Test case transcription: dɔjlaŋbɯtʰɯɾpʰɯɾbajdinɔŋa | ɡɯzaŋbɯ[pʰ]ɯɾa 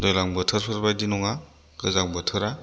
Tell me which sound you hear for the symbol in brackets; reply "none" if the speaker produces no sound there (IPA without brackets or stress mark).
tʰ